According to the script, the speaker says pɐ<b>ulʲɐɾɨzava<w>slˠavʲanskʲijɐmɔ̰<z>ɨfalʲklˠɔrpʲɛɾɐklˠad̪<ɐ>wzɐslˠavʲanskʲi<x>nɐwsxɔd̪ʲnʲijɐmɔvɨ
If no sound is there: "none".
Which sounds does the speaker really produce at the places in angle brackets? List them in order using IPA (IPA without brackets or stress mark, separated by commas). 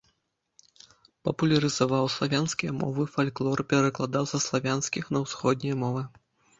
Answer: p, w, v, a, x